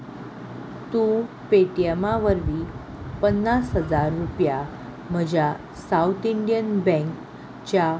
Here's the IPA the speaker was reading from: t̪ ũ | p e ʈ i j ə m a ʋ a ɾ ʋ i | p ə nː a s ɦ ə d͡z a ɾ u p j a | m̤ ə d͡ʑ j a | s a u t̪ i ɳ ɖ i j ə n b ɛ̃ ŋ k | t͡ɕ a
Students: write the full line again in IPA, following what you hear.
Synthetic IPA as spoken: t̪ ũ | p e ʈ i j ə m a ʋ ə ɾ ʋ i | p ə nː a s ɦ ə d͡z a ɾː u p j a | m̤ ə d͡ʑ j a | s a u t̪ i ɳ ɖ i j ə n b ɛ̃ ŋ k | t͡ɕ a